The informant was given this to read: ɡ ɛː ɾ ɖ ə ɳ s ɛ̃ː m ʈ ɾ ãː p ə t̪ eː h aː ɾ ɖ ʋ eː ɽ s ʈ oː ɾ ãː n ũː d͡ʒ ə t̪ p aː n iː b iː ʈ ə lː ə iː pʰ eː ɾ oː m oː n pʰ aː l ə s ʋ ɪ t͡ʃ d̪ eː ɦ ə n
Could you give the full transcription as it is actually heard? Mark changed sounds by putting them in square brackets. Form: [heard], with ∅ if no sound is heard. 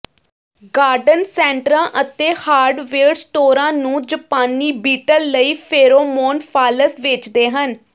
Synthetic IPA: ɡ [aː] ɾ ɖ ə [n] s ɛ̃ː [ɳ] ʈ ɾ ãː [ʔ] ə t̪ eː h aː ɾ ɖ ʋ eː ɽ s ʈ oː ɾ ãː n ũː d͡ʒ ə [∅] p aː n iː b iː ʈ ə lː ə iː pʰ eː ɾ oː m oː n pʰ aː l ə s ʋ ɪ t͡ʃ d̪ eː ɦ ə n